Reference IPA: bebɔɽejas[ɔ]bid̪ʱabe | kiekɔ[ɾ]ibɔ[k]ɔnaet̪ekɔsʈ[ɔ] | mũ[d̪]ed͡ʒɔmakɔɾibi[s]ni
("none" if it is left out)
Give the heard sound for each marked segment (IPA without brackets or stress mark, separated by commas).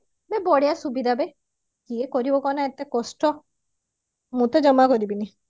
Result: u, ɾ, k, ɔ, t̪, none